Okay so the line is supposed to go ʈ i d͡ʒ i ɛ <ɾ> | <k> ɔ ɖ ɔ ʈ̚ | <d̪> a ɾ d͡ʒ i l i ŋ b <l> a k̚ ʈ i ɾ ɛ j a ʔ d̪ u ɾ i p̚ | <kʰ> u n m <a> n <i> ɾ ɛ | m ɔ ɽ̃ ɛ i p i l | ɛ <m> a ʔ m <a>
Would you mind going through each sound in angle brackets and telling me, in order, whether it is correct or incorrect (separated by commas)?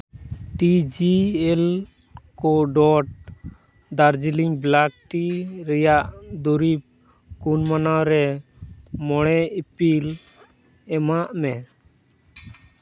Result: incorrect, correct, correct, correct, incorrect, correct, incorrect, correct, incorrect